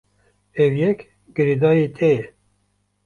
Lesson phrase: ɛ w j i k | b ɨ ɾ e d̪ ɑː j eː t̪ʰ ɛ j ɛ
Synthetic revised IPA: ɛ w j ɛ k | ɡ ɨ ɾ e d̪ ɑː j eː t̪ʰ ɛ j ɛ